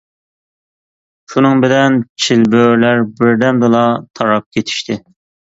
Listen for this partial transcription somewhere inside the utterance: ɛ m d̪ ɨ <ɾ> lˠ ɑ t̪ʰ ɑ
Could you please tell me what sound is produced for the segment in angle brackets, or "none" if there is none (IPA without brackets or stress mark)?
none